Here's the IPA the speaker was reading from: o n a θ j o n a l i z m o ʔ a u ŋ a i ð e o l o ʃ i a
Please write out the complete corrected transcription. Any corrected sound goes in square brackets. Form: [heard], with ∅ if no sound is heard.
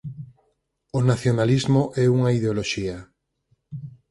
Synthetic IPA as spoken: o n a θ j o n a l i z m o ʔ [ɛ] u ŋ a i ð e o l o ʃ i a